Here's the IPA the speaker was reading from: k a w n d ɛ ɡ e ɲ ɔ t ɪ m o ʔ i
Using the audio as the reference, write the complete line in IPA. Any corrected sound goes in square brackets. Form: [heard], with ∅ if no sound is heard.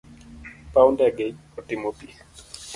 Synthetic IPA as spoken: [p] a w n d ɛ ɡ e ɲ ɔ t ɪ m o [p] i